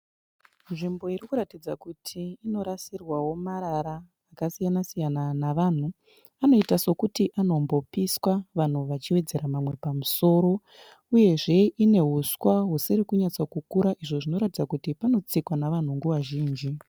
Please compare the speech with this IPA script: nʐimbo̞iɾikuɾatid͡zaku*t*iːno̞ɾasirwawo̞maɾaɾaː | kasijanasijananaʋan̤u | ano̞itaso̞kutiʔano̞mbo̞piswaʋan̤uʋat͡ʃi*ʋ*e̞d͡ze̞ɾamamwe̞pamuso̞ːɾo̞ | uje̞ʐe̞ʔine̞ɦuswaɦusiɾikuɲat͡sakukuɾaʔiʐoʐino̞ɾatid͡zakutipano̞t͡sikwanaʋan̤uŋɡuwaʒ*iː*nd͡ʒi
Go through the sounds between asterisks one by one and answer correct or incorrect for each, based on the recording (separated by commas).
incorrect, incorrect, correct